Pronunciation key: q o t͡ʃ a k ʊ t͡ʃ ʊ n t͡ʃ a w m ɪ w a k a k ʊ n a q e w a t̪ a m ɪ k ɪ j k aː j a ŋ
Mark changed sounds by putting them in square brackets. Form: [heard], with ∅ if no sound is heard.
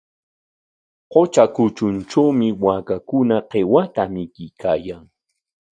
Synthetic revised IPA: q o t͡ʃ a k ʊ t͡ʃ ʊ n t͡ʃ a w m ɪ w a k a k ʊ n a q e w a t̪ a m ɪ k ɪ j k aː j a ŋ

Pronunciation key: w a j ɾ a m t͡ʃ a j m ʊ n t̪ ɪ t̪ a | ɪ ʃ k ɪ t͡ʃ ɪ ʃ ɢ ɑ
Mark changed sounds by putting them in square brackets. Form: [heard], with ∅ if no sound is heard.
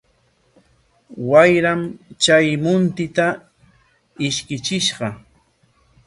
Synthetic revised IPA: w a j ɾ a m t͡ʃ a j m ʊ n t̪ ɪ t̪ a | ɪ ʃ k ɪ t͡ʃ ɪ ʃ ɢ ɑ

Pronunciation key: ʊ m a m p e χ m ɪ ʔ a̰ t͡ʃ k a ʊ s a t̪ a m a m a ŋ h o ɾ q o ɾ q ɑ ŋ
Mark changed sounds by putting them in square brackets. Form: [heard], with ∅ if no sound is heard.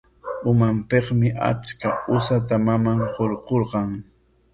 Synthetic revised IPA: ʊ m a m p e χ m ɪ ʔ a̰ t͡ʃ k a ʊ s a t̪ a m a m a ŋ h o ɾ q o ɾ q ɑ ŋ

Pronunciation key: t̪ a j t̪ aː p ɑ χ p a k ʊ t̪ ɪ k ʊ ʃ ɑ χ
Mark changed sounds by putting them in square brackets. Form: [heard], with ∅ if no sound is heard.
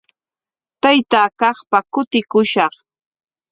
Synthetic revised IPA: t̪ a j t̪ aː [k] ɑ χ p a k ʊ t̪ ɪ k ʊ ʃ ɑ χ

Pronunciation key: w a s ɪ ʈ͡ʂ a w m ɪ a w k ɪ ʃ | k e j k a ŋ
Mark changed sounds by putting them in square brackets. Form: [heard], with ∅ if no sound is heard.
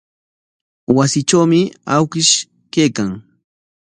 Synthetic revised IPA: w a s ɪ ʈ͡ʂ a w m ɪ a w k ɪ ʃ | k e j k a ŋ

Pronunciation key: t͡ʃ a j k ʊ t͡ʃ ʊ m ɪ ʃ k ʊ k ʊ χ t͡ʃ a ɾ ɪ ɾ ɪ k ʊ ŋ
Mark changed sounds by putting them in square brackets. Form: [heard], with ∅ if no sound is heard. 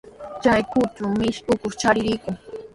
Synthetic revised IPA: t͡ʃ a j k ʊ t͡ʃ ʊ m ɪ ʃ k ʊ k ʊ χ t͡ʃ a ɾ ɪ ɾ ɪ k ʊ ŋ

